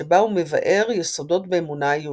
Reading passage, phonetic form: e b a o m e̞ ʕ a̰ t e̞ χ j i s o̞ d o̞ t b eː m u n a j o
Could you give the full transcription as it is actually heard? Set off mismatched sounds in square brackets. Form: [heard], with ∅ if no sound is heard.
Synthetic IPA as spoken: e b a [u] m e̞ [v] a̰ [ʔ] e̞ [ʁ] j [e] s o̞ d o̞ t b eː m u n a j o